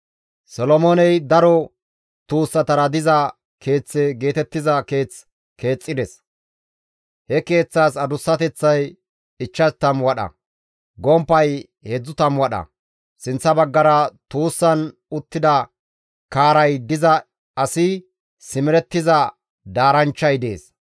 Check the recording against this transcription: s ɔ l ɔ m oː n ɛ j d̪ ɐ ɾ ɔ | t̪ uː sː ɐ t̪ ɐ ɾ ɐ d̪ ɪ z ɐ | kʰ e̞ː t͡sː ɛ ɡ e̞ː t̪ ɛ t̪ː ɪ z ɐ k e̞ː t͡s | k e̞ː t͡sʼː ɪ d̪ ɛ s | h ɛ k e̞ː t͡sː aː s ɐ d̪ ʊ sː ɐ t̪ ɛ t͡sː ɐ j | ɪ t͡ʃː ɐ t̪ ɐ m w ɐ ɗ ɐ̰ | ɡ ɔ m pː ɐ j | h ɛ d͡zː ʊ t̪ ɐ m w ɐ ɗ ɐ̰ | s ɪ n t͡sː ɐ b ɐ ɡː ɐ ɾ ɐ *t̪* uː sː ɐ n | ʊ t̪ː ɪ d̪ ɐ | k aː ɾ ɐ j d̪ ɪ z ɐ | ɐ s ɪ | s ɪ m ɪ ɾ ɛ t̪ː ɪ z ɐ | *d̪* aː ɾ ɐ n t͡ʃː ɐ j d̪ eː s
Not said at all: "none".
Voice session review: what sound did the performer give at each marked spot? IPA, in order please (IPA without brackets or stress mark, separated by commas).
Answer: t̪, d̪